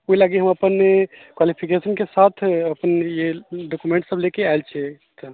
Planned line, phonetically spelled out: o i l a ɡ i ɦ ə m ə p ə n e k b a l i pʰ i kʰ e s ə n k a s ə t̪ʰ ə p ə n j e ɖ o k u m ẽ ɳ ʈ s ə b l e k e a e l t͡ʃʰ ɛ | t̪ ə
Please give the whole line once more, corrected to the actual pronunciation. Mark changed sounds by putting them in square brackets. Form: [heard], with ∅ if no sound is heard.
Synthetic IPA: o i l a ɡ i ɦ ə m ə p ə n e k [w] a l i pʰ i [k] e s ə n k [e] s [a] t̪ʰ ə p ə n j e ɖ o k u m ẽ ɳ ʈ s ə b l e k e a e l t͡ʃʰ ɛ | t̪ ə